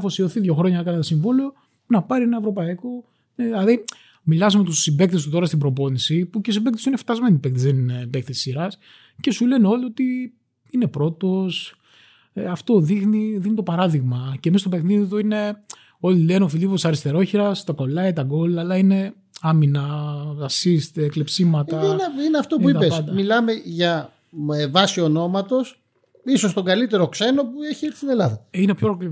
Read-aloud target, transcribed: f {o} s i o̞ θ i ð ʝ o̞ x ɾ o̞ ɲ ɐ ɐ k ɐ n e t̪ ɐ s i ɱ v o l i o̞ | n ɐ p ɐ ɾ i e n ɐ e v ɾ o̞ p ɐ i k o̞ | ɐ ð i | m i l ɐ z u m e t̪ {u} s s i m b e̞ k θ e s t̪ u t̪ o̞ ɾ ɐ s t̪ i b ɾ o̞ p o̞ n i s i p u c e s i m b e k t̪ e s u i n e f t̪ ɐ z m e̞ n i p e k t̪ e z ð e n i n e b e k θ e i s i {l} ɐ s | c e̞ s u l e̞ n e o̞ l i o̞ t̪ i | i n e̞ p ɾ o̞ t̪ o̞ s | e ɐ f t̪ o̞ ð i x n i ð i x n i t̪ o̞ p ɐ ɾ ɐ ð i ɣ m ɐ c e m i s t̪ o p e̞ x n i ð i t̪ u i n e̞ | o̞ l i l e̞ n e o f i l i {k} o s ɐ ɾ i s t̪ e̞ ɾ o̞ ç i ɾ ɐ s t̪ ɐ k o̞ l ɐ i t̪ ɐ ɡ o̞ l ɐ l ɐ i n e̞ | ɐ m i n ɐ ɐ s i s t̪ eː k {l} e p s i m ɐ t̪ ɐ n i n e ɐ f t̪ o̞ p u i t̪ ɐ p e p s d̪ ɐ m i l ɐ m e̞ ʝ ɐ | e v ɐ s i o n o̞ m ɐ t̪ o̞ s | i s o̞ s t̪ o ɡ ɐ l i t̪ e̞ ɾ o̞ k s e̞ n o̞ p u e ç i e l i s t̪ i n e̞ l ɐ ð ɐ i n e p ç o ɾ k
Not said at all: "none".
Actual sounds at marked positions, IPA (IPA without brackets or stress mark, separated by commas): o, u, ɾ, p, l